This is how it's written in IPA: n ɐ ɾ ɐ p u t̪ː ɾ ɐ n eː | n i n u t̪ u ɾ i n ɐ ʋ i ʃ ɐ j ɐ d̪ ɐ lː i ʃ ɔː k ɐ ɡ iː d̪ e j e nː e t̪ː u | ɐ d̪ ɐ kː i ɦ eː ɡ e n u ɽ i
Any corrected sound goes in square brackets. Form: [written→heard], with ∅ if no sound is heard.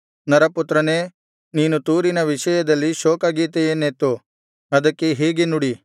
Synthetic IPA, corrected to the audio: n ɐ ɾ ɐ p u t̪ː ɾ ɐ n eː | n [i→iː] n u t̪ [u→uː] ɾ i n ɐ ʋ i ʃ ɐ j ɐ d̪ ɐ lː i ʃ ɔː k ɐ ɡ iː [d̪→t̪] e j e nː e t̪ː u | ɐ d̪ ɐ kː [i→e] ɦ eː ɡ e n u ɽ i